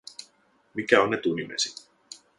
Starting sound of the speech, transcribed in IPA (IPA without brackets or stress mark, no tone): m